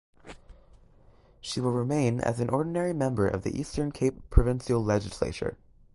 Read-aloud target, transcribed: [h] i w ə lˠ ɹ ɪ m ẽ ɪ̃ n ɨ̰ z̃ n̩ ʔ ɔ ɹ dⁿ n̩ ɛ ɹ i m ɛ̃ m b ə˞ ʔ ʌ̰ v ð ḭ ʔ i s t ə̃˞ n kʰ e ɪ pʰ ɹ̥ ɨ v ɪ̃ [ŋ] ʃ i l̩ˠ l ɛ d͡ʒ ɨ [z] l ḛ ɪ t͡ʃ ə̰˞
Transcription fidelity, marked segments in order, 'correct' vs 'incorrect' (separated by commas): incorrect, incorrect, incorrect